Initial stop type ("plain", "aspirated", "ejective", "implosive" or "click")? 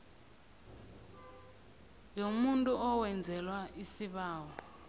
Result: ejective